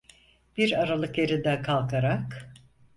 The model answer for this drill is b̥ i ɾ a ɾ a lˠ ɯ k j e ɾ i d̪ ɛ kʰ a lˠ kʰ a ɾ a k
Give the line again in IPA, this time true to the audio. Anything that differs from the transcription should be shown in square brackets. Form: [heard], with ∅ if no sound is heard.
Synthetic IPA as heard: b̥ i ɾ a ɾ a lˠ ɯ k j e ɾ i d̪ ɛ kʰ a lˠ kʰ a ɾ a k